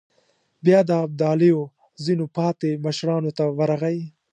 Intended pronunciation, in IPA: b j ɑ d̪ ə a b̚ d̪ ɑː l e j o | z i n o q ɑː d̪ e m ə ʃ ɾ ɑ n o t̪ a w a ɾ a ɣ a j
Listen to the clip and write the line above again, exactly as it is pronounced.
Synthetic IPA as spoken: b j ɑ d̪ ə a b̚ d̪ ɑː l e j o | z i n o p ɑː t̪ e m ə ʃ ɾ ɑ n o t̪ a w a ɾ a ɣ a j

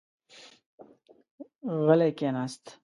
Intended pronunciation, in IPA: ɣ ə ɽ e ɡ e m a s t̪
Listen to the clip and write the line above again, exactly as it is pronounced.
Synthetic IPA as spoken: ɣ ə l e k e n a s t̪

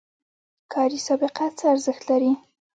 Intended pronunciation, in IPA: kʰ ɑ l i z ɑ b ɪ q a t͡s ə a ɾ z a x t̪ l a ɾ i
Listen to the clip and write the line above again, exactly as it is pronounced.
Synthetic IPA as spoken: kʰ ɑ ɾ i s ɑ b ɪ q a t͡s ə a ɾ z ə x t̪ l a ɾ i

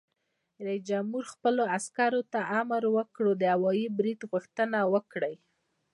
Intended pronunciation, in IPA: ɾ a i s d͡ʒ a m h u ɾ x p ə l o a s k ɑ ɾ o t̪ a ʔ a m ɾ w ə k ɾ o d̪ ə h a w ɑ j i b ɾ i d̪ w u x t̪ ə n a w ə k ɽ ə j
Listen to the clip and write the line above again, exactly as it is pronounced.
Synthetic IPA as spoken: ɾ a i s d͡ʒ a m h u ɾ x p ə l o a s k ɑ ɾ o t̪ a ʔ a m ɾ w ə k ɽ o d̪ ə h a w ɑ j i b ɾ i d̪ ɣ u x t̪ ə n a w ə k ɽ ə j

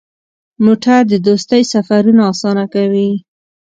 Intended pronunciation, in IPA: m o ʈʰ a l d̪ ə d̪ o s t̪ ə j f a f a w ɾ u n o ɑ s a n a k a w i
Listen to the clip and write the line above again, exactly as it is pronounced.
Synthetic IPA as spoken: m o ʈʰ a ɾ d̪ ə d̪ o s t̪ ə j s a f a ɾ u n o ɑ s ɑ n a k a w i

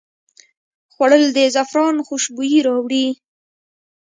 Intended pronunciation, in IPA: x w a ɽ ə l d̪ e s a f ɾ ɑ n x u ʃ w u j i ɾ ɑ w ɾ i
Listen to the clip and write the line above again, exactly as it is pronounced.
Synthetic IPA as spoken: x w a ɽ ə l d̪ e z a f ɾ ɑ n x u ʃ b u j i ɾ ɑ w ɽ i

